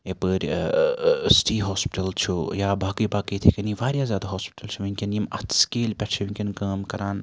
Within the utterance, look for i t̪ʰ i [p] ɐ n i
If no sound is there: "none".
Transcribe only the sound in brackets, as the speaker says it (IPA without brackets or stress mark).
k